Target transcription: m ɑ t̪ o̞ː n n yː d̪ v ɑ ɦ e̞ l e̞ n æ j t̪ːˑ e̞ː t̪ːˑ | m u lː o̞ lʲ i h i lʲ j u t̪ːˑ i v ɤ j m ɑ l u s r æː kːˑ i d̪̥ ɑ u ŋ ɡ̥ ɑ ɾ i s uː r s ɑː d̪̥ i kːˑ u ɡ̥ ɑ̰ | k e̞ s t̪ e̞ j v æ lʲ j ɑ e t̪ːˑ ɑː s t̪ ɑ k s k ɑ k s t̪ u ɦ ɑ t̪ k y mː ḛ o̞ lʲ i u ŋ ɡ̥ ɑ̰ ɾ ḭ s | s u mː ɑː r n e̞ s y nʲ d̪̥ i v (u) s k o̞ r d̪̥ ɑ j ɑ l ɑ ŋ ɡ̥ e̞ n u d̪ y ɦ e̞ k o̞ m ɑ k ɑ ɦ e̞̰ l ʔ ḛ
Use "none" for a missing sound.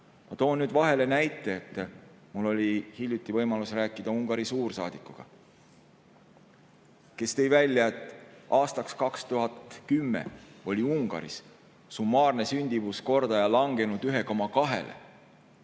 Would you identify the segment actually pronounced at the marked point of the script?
u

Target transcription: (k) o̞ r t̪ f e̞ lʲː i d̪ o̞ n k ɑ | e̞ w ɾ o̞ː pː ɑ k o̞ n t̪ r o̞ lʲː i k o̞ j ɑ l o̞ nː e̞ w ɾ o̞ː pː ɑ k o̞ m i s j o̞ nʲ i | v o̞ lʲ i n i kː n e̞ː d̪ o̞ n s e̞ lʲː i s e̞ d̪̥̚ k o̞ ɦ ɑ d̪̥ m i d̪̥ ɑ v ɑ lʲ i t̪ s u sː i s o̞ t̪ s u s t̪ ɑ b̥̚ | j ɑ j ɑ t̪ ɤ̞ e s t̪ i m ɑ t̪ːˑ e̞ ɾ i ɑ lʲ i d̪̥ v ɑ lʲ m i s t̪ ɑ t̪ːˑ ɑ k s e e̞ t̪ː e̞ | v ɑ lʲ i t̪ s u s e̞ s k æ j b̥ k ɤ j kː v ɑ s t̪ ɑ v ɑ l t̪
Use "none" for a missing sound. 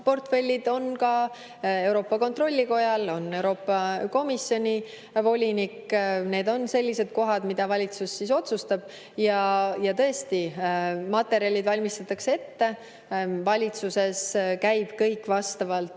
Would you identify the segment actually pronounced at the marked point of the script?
p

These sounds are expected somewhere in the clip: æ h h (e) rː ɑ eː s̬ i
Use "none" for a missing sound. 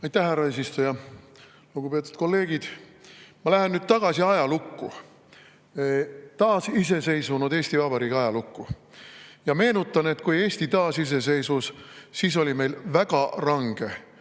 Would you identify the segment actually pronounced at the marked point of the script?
æ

